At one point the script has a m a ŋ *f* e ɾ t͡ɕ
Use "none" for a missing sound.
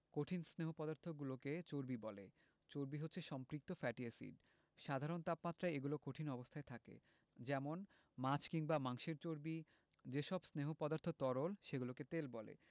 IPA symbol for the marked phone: ʃ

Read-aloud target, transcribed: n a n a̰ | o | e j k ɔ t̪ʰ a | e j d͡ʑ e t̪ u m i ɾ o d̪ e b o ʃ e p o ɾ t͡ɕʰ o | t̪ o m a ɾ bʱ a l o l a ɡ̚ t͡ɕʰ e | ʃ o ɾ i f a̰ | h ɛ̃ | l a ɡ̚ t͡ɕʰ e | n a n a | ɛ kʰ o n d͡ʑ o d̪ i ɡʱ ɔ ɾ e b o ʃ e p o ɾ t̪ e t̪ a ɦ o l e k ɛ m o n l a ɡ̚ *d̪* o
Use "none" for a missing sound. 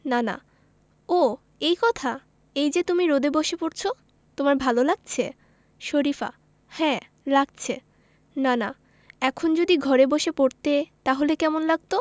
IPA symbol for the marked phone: t̪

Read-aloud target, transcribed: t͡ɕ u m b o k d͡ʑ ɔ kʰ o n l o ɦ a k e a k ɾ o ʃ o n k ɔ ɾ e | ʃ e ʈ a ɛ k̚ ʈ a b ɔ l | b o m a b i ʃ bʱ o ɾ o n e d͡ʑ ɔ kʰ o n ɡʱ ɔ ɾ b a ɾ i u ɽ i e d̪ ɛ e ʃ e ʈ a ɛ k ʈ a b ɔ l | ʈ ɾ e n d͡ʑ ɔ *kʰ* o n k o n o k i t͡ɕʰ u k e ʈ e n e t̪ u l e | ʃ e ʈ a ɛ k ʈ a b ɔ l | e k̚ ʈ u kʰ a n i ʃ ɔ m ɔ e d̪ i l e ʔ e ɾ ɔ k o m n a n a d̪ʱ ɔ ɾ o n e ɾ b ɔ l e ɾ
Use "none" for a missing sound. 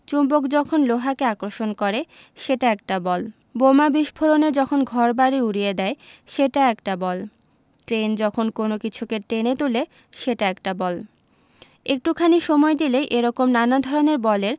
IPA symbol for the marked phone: kʰ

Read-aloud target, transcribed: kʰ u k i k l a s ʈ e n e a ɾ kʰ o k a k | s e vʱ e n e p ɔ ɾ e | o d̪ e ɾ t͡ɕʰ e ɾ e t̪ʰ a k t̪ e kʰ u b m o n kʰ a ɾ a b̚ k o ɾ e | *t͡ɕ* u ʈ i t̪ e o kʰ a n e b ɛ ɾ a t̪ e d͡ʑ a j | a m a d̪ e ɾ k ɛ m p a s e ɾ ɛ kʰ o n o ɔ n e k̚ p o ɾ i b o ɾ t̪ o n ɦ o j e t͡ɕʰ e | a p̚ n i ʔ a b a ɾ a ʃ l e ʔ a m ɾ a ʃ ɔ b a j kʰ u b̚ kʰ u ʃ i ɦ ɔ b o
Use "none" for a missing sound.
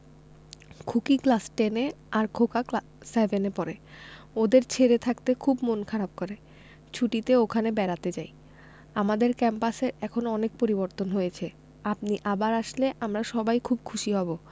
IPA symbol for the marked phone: t͡ɕʰ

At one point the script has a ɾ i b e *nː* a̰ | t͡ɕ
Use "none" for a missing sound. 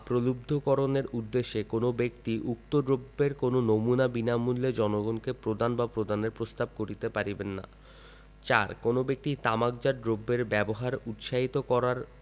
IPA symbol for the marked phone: nː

